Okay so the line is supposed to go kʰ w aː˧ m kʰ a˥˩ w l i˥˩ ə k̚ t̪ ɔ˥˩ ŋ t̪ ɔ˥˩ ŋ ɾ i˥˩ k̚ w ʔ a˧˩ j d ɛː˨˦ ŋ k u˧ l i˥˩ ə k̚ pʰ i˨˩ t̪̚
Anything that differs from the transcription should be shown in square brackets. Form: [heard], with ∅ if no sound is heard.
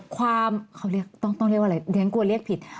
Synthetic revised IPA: kʰ w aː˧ m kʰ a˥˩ w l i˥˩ ə k̚ t̪ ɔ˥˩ ŋ t̪ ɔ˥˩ ŋ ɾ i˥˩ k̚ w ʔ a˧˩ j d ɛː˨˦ ŋ k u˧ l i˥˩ ə k̚ pʰ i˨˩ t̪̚